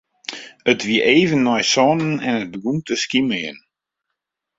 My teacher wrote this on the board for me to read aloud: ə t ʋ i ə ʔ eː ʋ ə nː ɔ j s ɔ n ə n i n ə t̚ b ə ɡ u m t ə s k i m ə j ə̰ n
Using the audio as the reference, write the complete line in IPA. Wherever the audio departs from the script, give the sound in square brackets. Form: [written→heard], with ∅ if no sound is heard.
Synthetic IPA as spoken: ə t ʋ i ə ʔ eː [ʋ→v] ə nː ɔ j s ɔ n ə n [i→ɛ] n ə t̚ b ə ɡ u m t ə s k i m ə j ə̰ n

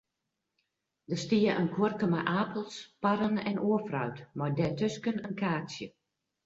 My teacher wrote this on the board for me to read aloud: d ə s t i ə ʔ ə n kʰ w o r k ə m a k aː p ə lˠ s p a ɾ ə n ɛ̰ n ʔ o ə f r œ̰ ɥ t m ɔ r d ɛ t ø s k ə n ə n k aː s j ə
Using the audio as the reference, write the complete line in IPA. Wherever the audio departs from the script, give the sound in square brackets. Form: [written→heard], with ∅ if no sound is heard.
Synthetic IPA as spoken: d ə s t i ə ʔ ə n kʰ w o r k ə m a [k→ʔ] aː p ə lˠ s p a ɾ ə n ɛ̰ n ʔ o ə f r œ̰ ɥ t m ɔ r d ɛ t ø s k ə n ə n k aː s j ə

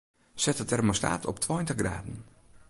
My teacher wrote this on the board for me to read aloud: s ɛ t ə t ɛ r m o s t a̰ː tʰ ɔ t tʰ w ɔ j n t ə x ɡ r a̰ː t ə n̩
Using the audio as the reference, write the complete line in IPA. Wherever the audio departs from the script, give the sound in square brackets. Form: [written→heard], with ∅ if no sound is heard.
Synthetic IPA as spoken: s ɛ t ə t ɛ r m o s t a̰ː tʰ ɔ [t→p] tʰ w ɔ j n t ə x ɡ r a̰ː [t→d] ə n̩

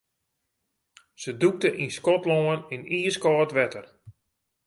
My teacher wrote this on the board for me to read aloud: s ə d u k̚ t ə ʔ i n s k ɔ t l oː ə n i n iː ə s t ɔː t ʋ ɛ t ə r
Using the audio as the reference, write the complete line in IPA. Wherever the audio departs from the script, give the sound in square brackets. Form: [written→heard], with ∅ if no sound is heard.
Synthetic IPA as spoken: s ə d u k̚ t ə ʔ i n s k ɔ t l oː ə n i n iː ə s [t→k] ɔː t ʋ ɛ t ə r

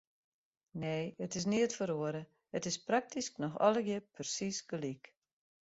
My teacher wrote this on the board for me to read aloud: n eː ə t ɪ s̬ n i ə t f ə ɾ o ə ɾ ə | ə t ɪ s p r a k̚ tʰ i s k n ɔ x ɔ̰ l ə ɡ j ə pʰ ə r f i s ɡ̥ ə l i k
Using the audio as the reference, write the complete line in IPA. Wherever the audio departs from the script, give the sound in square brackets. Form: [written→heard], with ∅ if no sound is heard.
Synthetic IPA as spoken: n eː ə t ɪ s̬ n i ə t f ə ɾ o ə ɾ ə | ə t ɪ s p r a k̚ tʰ i s k n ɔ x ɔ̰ l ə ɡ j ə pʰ ə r [f→s] i s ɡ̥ ə l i k

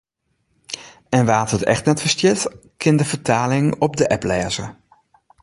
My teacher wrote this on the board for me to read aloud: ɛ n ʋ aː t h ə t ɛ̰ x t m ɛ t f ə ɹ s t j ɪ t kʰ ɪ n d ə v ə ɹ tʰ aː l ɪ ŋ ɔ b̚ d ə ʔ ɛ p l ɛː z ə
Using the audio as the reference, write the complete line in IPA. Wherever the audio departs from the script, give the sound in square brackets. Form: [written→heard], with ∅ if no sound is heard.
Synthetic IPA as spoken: ɛ n ʋ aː t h ə t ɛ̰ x t [m→n] ɛ t f ə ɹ s t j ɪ t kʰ ɪ n d ə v ə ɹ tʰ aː l ɪ ŋ ɔ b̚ d ə ʔ ɛ p l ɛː z ə

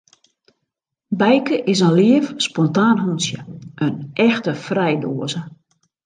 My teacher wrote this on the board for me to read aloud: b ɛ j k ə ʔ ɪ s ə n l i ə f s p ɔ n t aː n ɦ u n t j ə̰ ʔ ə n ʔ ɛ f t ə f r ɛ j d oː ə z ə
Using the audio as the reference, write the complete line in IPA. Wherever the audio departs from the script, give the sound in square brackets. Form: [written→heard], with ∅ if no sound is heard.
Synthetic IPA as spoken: b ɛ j k ə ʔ ɪ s ə n l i ə f s p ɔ n t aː n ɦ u n [t→s] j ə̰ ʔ ə n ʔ ɛ [f→x] t ə f r ɛ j d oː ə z ə

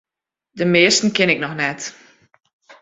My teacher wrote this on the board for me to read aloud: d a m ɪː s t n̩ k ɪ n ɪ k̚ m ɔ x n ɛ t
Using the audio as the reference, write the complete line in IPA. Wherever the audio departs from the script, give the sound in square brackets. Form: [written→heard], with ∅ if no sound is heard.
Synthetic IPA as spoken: d [a→ə] m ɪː s t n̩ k ɪ n ɪ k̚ [m→n] ɔ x n ɛ t

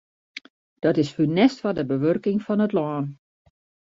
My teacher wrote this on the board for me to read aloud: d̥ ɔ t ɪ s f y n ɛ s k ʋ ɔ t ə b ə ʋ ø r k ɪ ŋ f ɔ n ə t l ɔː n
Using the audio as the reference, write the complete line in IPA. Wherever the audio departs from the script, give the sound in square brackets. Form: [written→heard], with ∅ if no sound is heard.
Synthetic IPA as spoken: d̥ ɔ t ɪ s f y n ɛ s [k→t] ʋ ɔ [t→d] ə b ə ʋ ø r k ɪ ŋ f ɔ n ə t l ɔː n

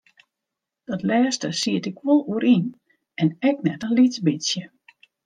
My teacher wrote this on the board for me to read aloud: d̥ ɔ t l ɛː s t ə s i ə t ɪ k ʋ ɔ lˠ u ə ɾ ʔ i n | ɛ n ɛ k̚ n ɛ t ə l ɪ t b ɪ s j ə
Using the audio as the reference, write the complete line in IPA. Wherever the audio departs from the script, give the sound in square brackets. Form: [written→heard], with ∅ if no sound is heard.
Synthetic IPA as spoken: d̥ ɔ t l ɛː s t ə s i ə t ɪ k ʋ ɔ lˠ u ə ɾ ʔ i n | ɛ n ɛ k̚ n ɛ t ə l [ɪ→i] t b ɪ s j ə

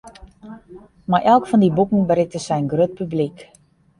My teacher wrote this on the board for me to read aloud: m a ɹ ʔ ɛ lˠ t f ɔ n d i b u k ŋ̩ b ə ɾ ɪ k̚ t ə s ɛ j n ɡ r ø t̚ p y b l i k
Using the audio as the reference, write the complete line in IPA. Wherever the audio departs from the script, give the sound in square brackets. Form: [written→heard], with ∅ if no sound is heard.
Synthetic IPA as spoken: m a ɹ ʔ ɛ lˠ [t→k] f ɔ n d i b u k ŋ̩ b ə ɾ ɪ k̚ t ə s ɛ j n ɡ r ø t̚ p y b l i k

